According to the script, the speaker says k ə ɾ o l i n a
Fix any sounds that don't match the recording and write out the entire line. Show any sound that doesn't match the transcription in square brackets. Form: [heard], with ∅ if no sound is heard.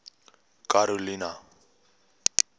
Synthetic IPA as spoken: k [a] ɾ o l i n a

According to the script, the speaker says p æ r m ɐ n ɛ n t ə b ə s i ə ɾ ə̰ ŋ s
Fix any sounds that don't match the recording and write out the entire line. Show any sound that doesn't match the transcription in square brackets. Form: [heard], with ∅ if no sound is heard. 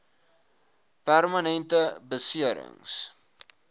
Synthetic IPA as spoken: p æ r m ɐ n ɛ n t ə b ə s i ə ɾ ə̰ ŋ s

